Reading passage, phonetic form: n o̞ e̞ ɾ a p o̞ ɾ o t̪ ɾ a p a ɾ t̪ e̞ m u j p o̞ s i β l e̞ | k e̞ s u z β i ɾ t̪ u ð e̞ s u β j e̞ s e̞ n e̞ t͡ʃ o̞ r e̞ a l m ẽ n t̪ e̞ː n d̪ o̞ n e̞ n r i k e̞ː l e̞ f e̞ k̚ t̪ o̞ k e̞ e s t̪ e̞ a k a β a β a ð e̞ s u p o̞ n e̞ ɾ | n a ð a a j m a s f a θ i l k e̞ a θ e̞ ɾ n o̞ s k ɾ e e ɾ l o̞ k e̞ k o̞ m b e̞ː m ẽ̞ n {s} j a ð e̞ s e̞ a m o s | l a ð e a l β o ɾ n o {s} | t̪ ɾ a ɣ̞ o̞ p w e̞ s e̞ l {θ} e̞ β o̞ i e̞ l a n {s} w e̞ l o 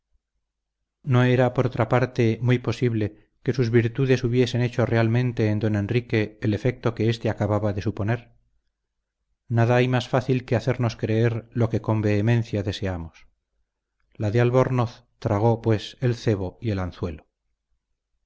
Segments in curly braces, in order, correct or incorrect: incorrect: θ, incorrect: θ, correct, incorrect: θ

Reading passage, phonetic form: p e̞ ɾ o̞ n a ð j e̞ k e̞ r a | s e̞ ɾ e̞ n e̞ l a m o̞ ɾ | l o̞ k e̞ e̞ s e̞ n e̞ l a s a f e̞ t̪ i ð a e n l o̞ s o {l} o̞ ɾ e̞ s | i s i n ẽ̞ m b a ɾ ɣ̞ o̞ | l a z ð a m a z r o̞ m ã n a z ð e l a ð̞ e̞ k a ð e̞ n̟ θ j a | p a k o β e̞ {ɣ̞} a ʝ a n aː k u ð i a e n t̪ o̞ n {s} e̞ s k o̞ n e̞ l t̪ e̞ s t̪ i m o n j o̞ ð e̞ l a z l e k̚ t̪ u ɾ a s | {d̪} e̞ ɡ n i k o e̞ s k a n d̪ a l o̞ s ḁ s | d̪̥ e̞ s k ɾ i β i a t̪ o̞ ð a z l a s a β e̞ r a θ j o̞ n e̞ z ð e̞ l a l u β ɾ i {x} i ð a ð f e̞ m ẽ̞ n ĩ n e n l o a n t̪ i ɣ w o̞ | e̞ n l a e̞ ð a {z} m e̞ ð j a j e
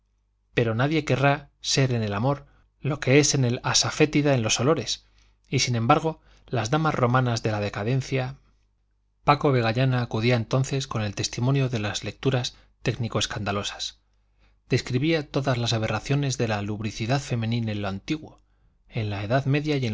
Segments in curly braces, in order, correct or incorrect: correct, correct, incorrect: θ, incorrect: t̪, incorrect: θ, incorrect: ð

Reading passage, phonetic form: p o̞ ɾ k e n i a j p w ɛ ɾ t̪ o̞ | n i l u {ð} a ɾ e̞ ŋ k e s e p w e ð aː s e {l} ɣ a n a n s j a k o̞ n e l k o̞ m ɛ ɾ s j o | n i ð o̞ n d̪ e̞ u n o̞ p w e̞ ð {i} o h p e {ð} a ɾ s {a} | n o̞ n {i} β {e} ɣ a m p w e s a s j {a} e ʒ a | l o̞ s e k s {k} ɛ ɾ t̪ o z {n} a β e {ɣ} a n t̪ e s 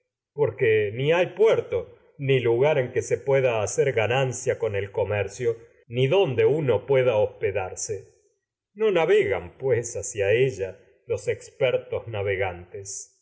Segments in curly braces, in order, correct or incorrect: incorrect: ɣ, incorrect: ɾ, incorrect: a, correct, incorrect: e, incorrect: a, correct, correct, incorrect: p, correct, correct

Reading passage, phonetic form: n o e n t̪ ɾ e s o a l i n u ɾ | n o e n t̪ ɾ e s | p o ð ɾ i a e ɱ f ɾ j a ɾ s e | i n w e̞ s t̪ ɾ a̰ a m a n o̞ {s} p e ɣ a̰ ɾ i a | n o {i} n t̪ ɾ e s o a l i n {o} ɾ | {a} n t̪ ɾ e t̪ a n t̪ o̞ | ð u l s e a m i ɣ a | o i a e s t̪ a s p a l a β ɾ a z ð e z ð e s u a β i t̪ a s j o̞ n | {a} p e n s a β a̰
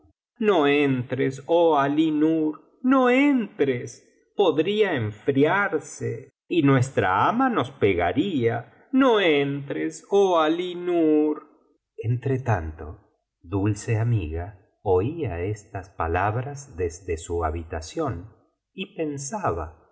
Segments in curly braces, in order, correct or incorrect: correct, incorrect: e, incorrect: u, incorrect: e, incorrect: i

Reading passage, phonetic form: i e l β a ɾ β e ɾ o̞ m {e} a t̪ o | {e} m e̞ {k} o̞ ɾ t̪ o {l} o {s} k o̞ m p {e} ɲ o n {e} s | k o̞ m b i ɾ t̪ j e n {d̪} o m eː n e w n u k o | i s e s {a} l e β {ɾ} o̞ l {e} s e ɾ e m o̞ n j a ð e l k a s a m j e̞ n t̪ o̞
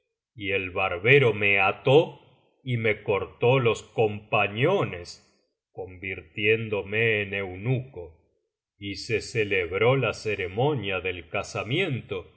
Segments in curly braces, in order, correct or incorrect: correct, incorrect: i, correct, correct, correct, incorrect: a, correct, correct, incorrect: e, correct, incorrect: a

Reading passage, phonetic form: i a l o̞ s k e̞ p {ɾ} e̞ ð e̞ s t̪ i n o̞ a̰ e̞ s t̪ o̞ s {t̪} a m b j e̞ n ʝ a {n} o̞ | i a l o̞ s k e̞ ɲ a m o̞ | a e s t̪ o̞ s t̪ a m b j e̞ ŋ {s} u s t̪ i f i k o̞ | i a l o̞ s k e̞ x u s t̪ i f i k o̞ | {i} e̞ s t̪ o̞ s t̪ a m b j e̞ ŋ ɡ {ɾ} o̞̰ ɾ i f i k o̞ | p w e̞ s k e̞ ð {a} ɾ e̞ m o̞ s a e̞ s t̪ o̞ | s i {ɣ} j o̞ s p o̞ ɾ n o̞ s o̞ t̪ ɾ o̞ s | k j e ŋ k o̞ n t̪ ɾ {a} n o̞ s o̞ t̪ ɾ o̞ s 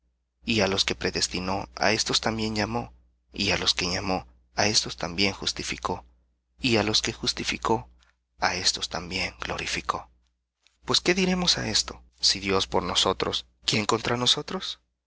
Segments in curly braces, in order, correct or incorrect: correct, correct, incorrect: m, incorrect: x, incorrect: a, incorrect: l, incorrect: i, incorrect: ð, correct

